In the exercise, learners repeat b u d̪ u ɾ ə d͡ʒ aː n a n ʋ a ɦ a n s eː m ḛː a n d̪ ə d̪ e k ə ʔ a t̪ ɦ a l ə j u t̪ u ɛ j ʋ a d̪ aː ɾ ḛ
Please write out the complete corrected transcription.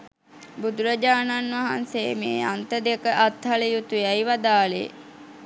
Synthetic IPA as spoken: b u d̪ u ɾ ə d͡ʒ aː n a n ʋ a ɦ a n s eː m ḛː a n t̪ ə d̪ e k ə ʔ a t̪ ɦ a l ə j u t̪ u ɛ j ʋ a d̪ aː l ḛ